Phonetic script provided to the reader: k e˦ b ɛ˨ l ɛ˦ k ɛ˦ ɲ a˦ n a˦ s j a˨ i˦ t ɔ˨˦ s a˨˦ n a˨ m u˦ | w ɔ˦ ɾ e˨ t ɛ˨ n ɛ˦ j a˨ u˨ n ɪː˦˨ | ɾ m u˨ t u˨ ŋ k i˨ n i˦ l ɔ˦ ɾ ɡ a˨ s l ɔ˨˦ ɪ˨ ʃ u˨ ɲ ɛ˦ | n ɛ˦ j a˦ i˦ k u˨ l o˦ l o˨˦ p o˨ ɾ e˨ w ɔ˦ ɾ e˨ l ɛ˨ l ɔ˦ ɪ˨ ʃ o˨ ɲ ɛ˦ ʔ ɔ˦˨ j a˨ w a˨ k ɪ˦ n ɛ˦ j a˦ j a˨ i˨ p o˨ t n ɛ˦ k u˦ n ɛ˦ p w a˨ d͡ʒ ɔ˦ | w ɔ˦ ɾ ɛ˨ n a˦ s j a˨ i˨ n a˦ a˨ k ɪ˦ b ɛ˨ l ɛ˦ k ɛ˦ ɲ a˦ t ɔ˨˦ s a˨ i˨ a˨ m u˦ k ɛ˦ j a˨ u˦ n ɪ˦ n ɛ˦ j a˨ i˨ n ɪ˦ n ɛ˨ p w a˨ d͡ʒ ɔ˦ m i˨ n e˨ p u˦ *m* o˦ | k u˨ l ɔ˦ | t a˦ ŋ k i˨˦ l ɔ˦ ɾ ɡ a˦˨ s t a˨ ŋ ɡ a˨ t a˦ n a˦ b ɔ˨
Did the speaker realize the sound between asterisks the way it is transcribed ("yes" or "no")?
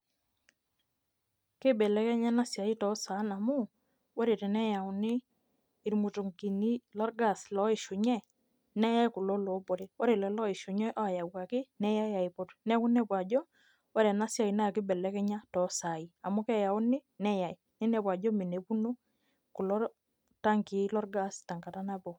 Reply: no